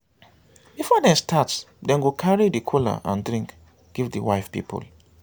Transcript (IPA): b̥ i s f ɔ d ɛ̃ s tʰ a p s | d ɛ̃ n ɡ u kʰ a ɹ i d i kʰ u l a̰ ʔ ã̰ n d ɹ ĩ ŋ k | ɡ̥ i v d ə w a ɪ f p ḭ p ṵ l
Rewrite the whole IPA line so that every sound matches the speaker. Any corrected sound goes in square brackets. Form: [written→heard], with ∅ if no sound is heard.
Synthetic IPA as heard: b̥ i [s→∅] f ɔ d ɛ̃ s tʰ a [p→t] s | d ɛ̃ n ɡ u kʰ a ɹ i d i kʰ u l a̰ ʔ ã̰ n d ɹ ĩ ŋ k | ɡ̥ i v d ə w a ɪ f p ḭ p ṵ l